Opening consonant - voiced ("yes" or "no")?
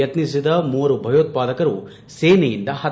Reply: no